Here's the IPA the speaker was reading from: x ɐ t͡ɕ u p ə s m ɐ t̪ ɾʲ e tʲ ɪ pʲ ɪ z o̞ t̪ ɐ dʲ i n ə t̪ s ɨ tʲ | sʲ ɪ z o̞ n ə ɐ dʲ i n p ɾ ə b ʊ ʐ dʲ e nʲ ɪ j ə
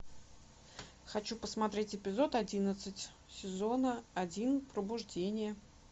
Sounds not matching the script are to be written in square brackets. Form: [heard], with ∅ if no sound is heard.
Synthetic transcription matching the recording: x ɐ t͡ɕ u p ə s m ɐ t̪ ɾʲ e tʲ ɪ pʲ ɪ z o̞ t̪ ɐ dʲ i n ə t̪ s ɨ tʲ | sʲ ɪ z o̞ n ə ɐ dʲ i n p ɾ ə b ʊ ʐ dʲ e nʲ ɪ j ə

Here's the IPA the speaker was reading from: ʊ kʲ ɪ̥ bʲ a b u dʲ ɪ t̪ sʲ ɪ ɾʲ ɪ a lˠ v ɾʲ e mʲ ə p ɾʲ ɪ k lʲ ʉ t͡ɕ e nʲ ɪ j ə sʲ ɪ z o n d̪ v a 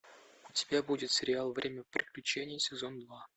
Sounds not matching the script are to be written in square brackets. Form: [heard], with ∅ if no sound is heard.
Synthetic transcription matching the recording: ʊ [tʲ] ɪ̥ bʲ a b u dʲ ɪ t̪ sʲ ɪ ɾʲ ɪ a lˠ v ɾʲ e mʲ ə p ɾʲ ɪ k lʲ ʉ t͡ɕ e nʲ ɪ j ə sʲ ɪ z o n d̪ v a

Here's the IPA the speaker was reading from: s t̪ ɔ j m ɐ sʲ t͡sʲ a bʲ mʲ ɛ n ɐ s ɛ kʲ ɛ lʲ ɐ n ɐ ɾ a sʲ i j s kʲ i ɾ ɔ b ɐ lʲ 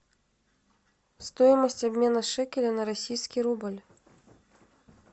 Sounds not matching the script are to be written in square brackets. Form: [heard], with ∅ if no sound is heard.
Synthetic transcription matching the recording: s t̪ ɔ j m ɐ sʲ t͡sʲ a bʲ mʲ ɛ n ɐ [ʂ] ɛ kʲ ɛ lʲ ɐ n ɐ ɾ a sʲ i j s kʲ i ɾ [u] b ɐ lʲ

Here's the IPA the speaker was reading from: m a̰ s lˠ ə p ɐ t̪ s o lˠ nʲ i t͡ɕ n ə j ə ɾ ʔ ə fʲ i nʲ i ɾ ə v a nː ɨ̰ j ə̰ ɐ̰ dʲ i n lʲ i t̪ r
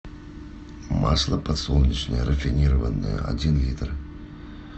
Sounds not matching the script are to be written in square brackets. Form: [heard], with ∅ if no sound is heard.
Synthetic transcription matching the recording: m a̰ s lˠ ə p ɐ t̪ s o lˠ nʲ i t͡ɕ n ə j ə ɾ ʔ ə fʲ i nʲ i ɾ ə v [ə] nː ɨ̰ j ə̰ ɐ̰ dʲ i n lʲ i t̪ r

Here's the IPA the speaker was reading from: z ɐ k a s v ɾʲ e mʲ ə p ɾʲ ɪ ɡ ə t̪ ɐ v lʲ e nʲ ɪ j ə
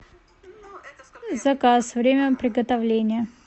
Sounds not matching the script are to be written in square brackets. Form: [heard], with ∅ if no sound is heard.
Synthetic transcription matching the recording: z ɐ k a s v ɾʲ e mʲ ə p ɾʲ ɪ ɡ ə t̪ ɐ v lʲ e nʲ ɪ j ə

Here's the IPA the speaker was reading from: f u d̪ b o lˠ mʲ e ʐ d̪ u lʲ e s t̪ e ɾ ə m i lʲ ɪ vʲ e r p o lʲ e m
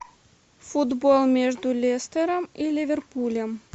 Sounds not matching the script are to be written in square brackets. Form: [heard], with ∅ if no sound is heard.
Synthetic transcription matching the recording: f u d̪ b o lˠ mʲ e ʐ d̪ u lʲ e s t̪ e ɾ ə m i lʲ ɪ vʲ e r p [u] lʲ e m

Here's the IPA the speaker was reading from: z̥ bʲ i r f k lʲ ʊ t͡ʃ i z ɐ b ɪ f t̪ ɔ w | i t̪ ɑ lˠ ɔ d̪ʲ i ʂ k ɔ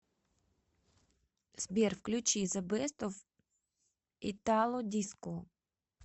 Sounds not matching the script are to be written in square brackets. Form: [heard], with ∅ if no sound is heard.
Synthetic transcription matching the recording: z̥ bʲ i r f k lʲ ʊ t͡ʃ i z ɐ b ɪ [s] t̪ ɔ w | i t̪ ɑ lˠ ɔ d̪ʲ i [s] k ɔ

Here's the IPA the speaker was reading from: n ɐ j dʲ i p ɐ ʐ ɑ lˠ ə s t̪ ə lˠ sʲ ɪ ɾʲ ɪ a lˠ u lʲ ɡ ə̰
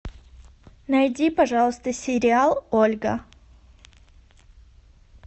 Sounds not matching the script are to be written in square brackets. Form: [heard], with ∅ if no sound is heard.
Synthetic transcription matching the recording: n ɐ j dʲ i p ɐ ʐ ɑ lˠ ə s t̪ ə [∅] sʲ ɪ ɾʲ ɪ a lˠ [o] lʲ ɡ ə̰

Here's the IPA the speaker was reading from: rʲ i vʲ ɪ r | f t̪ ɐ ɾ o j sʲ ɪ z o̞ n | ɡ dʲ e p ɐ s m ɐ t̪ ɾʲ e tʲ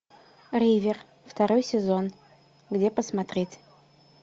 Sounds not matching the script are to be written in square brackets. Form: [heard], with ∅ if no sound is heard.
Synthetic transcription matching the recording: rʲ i vʲ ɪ r | f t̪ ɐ ɾ o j sʲ ɪ z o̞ n | ɡ dʲ e p [ə] s m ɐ t̪ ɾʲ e tʲ

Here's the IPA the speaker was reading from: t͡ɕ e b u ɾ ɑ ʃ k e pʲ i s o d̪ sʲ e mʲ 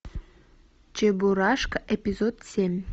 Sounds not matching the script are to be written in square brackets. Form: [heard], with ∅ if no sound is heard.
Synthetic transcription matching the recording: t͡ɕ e b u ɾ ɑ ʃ k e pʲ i [z] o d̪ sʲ e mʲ

